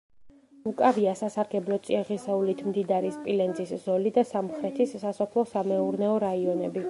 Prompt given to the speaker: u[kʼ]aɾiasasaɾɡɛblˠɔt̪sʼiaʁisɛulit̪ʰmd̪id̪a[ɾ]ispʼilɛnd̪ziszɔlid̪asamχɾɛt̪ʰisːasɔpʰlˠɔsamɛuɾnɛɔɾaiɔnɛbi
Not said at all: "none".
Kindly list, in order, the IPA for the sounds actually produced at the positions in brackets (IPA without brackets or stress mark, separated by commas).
kʼ, ɾ